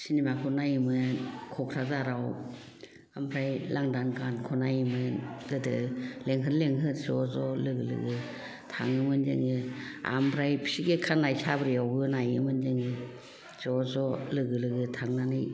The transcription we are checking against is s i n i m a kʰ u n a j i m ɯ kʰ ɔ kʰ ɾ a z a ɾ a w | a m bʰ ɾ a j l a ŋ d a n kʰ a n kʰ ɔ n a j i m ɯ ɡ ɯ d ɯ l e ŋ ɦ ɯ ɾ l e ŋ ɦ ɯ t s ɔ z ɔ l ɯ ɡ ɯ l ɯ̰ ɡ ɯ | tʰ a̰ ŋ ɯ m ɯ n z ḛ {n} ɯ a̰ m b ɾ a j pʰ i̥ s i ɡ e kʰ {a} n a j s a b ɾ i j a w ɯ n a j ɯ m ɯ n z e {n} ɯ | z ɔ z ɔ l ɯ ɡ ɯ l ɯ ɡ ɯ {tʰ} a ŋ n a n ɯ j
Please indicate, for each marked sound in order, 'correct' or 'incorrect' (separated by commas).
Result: incorrect, correct, incorrect, correct